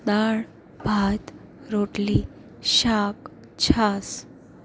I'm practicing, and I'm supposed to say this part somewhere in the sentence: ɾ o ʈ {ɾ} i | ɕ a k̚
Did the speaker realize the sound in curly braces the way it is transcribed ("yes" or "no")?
no